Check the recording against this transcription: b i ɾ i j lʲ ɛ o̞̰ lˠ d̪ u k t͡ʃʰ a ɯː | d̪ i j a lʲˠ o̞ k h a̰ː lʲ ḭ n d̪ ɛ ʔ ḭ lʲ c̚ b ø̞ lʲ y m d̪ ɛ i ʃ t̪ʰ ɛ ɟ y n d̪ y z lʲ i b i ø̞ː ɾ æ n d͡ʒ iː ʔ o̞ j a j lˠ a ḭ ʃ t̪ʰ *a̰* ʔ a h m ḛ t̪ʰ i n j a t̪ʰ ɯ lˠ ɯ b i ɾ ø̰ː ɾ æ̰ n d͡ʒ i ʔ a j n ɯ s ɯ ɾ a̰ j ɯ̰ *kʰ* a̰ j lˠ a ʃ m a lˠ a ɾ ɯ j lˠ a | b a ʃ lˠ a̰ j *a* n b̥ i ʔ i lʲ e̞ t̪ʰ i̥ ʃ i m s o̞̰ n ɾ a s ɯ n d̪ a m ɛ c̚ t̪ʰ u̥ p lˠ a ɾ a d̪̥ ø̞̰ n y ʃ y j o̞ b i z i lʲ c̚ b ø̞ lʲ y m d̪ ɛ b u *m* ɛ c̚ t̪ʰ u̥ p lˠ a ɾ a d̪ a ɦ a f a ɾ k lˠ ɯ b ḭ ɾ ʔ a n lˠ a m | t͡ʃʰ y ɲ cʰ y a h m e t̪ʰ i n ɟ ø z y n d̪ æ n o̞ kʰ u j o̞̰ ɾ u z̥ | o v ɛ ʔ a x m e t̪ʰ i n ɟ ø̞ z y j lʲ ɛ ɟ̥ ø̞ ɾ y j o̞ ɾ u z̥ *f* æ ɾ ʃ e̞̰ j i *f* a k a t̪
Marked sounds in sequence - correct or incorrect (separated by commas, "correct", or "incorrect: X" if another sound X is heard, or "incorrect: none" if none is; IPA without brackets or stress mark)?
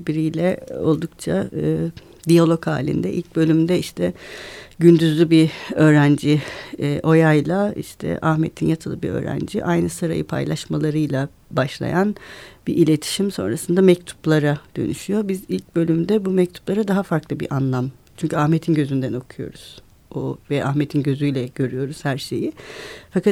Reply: incorrect: ɛ̰, incorrect: pʰ, correct, correct, incorrect: h, correct